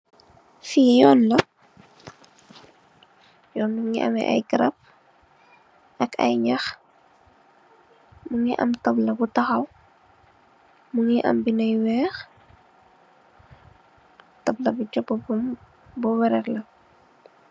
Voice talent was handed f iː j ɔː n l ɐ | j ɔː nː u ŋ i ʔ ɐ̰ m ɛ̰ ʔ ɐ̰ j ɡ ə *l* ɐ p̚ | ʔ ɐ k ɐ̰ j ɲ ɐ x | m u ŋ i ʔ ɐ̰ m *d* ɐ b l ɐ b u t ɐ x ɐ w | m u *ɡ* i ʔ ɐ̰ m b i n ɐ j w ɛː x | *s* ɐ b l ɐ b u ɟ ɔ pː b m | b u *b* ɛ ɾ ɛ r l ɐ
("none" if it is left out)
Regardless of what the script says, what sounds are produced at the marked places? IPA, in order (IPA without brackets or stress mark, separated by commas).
ɾ, t, ŋ, t, w